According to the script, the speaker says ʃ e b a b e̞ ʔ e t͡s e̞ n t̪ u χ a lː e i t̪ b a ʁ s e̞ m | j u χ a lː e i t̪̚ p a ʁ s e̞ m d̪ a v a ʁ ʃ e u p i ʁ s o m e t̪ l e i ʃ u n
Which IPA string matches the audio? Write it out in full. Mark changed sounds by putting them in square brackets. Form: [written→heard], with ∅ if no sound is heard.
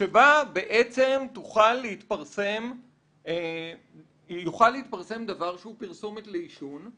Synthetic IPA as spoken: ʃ e b a b e̞ ʔ e t͡s e̞ [n→m] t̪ u χ a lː e i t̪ [b→p] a ʁ s e̞ m | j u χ a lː e i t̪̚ p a ʁ s e̞ m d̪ a v a ʁ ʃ e u p i ʁ s o m e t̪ l e i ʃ u n